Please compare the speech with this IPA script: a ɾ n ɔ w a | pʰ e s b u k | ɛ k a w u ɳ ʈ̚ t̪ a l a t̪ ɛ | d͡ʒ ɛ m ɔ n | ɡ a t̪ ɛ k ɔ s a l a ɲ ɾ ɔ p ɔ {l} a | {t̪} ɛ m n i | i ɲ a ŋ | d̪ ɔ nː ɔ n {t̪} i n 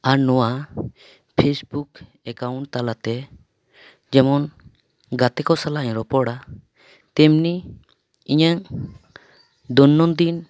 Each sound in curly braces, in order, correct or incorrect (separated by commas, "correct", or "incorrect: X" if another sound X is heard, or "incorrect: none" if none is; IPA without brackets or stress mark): incorrect: ɽ, correct, incorrect: d̪